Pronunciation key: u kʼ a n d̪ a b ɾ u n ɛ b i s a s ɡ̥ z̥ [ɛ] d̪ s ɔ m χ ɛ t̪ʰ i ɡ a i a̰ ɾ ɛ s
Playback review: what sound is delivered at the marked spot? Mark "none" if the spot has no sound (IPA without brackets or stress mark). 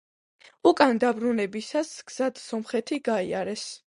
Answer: a